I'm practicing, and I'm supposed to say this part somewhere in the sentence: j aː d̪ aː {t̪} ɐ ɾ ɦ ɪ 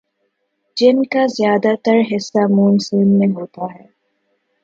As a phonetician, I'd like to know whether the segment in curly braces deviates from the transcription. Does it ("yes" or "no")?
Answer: no